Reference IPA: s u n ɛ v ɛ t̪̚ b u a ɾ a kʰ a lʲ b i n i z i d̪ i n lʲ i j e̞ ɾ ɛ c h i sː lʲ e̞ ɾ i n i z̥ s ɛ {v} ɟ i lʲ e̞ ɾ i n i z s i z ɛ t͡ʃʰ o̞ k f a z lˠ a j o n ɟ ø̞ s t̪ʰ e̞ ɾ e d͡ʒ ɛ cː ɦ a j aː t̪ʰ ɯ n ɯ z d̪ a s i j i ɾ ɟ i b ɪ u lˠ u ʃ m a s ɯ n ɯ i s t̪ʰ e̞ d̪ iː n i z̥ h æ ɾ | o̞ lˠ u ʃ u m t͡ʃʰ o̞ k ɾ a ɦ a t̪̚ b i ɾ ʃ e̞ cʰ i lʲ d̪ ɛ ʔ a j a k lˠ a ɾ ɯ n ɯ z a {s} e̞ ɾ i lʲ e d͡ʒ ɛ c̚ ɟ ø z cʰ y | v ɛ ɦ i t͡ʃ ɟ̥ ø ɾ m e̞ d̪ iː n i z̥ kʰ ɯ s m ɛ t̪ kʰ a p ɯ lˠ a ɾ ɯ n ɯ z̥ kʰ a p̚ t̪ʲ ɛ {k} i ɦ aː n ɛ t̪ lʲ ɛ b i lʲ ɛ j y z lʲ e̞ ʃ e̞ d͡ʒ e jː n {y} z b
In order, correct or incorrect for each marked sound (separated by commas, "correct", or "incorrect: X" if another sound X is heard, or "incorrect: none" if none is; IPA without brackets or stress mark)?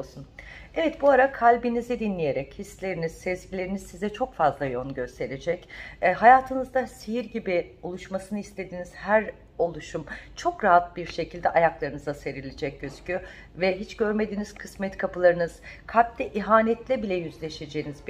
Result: incorrect: z, correct, incorrect: ʔ, incorrect: i